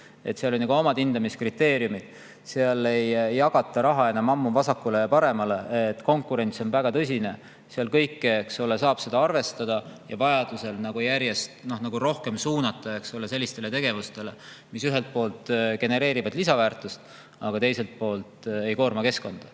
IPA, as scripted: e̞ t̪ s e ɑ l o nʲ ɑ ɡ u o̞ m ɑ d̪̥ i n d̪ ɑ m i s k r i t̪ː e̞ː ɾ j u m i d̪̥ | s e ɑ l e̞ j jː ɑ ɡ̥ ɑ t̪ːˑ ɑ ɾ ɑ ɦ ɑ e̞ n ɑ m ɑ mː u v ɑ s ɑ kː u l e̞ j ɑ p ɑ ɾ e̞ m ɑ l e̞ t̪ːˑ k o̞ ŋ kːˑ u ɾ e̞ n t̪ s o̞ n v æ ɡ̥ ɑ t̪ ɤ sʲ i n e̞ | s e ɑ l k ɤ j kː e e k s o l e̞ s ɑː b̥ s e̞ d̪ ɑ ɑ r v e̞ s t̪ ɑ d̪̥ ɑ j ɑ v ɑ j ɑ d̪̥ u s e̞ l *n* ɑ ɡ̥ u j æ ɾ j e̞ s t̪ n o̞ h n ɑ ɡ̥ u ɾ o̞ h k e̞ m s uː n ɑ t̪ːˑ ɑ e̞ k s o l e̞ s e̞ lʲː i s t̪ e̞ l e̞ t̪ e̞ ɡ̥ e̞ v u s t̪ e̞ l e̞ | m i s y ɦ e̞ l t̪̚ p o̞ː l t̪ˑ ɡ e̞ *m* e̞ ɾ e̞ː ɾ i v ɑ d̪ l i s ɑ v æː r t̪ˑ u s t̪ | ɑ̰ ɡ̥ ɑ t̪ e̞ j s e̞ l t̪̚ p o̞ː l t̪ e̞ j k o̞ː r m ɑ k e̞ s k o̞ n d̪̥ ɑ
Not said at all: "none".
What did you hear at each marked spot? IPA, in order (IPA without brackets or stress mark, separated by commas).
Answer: n, n